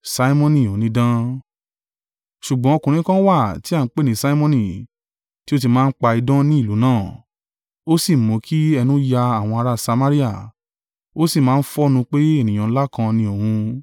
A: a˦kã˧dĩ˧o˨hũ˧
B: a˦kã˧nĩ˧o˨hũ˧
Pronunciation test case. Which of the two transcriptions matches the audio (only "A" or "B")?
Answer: B